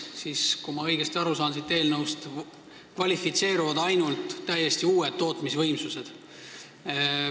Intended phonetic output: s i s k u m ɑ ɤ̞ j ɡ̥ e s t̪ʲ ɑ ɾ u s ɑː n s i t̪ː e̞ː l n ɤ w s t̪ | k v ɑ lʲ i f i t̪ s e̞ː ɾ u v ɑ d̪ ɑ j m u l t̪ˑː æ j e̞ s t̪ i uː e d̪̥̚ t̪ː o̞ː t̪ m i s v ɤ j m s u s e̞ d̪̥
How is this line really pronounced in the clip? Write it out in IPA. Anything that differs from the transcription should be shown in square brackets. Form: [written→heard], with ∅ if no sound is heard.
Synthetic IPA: s i s k u m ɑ ɤ̞ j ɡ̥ e s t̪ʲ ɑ ɾ u s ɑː n s i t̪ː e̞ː l n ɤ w s t̪ | k v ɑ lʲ i f i t̪ s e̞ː ɾ u v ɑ d̪ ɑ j [m→n] u l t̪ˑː æ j e̞ s t̪ i uː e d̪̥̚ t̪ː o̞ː t̪ m i s v ɤ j m s u s e̞ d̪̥